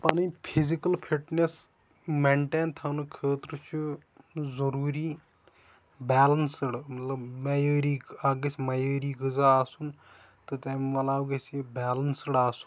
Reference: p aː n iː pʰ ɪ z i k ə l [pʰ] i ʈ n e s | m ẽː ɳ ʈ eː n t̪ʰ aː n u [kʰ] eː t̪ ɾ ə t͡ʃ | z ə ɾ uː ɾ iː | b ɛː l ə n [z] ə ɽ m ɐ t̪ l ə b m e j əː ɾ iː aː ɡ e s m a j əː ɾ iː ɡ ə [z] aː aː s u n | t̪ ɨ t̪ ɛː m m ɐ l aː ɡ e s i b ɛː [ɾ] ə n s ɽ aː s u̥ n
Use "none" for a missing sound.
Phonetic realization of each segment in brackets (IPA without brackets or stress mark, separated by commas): pʰ, kʰ, s, z, l